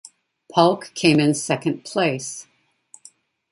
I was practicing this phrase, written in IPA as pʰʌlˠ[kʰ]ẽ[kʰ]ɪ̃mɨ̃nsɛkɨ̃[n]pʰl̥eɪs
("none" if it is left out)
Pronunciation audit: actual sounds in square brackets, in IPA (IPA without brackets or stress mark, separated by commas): kʰ, none, n